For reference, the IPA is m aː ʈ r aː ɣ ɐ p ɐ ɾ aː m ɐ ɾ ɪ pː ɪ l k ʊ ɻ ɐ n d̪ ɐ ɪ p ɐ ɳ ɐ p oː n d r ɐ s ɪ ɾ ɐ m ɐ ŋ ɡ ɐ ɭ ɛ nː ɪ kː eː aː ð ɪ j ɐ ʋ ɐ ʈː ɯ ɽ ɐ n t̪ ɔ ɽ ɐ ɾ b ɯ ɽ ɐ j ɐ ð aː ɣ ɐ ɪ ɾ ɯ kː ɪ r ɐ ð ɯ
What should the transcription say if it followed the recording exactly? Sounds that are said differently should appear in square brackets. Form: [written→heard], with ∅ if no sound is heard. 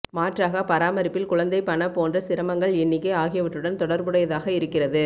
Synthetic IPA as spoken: m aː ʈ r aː ɣ ɐ p ɐ ɾ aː m ɐ ɾ ɪ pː ɪ l k ʊ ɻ ɐ n d̪ ɐ ɪ p ɐ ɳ ɐ p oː n d r ɐ s ɪ ɾ ɐ m ɐ ŋ ɡ ɐ ɭ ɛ nː ɪ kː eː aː [ð→ɣ] ɪ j ɐ ʋ ɐ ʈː ɯ ɽ ɐ n t̪ ɔ ɽ ɐ ɾ b ɯ ɽ ɐ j ɐ ð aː ɣ ɐ ɪ ɾ ɯ kː ɪ r ɐ ð ɯ